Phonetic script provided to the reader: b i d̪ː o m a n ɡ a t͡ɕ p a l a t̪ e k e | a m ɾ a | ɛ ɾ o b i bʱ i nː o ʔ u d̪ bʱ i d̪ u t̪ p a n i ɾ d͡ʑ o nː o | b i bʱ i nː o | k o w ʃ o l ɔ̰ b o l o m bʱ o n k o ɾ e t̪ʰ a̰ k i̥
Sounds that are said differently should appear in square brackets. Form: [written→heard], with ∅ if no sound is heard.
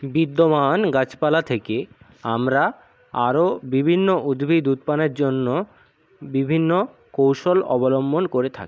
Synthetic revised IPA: b i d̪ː o m a n ɡ a t͡ɕ p a l a [t̪→t̪ʰ] e k e | a m ɾ a | [ɛ→a] ɾ o b i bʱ i nː o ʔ u d̪ bʱ i d̪ u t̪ p a n [i→e] ɾ d͡ʑ o nː o | b i bʱ i nː o | k o w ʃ o l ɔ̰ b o l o m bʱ o n k o ɾ e t̪ʰ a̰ k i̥

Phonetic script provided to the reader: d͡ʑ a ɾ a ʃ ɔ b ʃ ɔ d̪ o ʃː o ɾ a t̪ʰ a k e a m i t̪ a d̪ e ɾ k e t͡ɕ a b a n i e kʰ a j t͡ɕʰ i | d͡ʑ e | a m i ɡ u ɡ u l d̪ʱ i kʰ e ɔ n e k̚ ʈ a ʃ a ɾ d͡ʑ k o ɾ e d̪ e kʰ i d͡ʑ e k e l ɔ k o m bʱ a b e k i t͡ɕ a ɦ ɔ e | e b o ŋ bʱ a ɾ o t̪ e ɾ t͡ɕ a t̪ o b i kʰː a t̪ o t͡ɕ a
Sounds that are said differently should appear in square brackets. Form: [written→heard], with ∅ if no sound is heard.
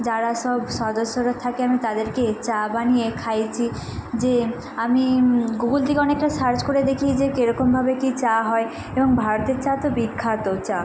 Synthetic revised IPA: d͡ʑ a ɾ a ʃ ɔ b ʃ ɔ d̪ o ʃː o ɾ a t̪ʰ a k e a m i t̪ a d̪ e ɾ k e t͡ɕ a b a n i e kʰ a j t͡ɕʰ i | d͡ʑ e | a m i ɡ u ɡ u l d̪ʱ i [kʰ→k] e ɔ n e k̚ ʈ a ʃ a ɾ d͡ʑ k o ɾ e d̪ e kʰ i d͡ʑ e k e [l→ɾ] ɔ k o m bʱ a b e k i t͡ɕ a ɦ ɔ e | e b o ŋ bʱ a ɾ o t̪ e ɾ t͡ɕ a t̪ o b i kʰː a t̪ o t͡ɕ a

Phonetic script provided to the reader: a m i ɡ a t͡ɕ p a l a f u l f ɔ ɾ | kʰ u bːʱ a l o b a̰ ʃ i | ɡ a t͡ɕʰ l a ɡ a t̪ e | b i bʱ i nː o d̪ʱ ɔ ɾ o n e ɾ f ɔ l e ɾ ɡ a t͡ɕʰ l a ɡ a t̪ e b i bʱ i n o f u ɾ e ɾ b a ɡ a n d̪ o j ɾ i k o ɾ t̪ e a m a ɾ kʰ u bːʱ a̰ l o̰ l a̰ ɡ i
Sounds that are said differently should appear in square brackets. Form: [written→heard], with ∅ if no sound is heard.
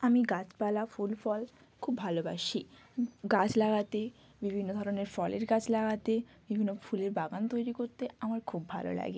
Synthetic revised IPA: a m i ɡ a t͡ɕ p a l a f u l f ɔ [ɾ→l] | kʰ u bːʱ a l o b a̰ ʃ i | ɡ a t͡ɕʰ l a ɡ a t̪ e | b i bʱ i nː o d̪ʱ ɔ ɾ o n e ɾ f ɔ l e ɾ ɡ a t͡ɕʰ l a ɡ a t̪ e b i bʱ i [n→nː] o f u [ɾ→l] e ɾ b a ɡ a n [d̪→t̪] o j ɾ i k o ɾ t̪ e a m a ɾ kʰ u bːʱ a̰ l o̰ l a̰ ɡ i

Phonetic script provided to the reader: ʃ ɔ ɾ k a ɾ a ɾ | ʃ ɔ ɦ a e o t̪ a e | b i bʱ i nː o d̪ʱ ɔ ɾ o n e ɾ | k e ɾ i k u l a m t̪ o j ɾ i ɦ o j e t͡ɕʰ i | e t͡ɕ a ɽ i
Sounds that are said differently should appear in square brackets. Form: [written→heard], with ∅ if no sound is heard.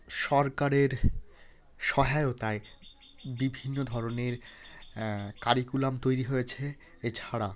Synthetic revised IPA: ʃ ɔ ɾ k a ɾ [a→e] ɾ | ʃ ɔ ɦ a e o t̪ a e | b i bʱ i nː o d̪ʱ ɔ ɾ o n e ɾ | k [e→a] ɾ i k u l a m t̪ o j ɾ i ɦ o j e t͡ɕʰ [i→e] | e [t͡ɕ→t͡ɕʰ] a ɽ [i→a]

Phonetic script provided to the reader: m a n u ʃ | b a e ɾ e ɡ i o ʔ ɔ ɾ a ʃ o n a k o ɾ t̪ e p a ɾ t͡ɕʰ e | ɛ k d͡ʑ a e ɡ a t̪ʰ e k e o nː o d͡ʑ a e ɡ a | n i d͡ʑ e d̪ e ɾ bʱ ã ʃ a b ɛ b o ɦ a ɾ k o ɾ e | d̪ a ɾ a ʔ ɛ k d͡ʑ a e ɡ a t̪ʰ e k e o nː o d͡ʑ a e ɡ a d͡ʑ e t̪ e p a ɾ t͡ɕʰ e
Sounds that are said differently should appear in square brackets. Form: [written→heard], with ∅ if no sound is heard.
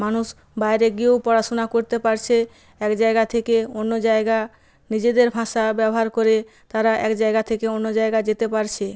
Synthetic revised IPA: m a n u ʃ | b a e ɾ e ɡ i o [ʔ→p] ɔ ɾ a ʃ o n a k o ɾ t̪ e p a ɾ t͡ɕʰ e | ɛ k d͡ʑ a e ɡ a t̪ʰ e k e o nː o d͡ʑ a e ɡ a | n i d͡ʑ e d̪ e ɾ bʱ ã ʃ a b ɛ b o ɦ a ɾ k o ɾ e | [d̪→t̪] a ɾ a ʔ ɛ k d͡ʑ a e ɡ a t̪ʰ e k e o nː o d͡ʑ a e ɡ a d͡ʑ e t̪ e p a ɾ t͡ɕʰ e

